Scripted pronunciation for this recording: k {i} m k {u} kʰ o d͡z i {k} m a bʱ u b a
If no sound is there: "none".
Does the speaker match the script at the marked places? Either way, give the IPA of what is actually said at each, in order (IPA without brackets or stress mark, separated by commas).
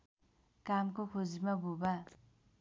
a, o, none